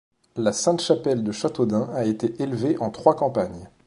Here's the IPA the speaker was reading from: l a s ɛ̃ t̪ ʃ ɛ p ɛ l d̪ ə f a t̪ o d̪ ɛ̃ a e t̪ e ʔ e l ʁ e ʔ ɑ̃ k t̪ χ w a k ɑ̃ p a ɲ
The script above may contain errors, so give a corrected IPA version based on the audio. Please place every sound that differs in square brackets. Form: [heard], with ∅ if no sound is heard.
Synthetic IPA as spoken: l a s ɛ̃ t̪ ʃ [a] p ɛ l d̪ ə [ʃ] a t̪ o d̪ ɛ̃ a e t̪ e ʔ e l [v] e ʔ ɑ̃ [∅] t̪ χ w a k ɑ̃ p a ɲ